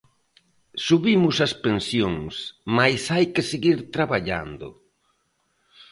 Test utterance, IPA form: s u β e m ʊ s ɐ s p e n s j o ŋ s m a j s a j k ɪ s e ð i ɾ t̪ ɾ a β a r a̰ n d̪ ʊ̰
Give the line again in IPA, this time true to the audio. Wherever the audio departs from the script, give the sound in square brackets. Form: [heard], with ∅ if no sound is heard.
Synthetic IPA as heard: s u β [i] m ʊ s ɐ s p e n s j o ŋ s m a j s a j k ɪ s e [ɣ] i ɾ t̪ ɾ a β a [ʎ] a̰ n d̪ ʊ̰